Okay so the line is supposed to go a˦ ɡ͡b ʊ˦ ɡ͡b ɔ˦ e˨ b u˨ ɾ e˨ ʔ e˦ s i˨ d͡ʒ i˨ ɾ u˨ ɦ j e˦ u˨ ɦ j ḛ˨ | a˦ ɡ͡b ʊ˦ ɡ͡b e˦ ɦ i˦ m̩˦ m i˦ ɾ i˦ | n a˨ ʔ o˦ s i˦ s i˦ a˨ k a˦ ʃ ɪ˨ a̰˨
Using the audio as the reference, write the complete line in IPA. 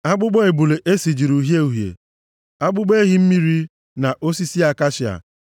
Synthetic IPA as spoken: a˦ ɡ͡b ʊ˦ ɡ͡b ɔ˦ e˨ b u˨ l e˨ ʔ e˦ s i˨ d͡ʒ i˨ ɾ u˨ ɦ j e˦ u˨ ɦ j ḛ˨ | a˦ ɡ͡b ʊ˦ ɡ͡b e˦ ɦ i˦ m̩˦ m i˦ ɾ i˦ | n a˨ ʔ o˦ s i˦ s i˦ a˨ k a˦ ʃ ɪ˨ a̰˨